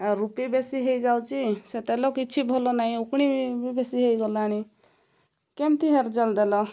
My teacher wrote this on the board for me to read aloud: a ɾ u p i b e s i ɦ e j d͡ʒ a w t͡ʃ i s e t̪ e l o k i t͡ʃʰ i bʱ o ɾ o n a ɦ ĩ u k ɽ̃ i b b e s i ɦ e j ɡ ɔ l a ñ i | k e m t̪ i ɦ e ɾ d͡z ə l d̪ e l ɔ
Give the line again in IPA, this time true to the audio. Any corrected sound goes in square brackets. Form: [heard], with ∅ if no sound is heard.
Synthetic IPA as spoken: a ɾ u p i b e s i ɦ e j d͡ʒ a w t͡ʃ i s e t̪ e l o k i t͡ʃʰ i bʱ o [l] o n a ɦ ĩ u k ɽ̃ i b b e s i ɦ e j ɡ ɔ l a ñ i | k e m t̪ i ɦ e ɾ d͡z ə l d̪ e l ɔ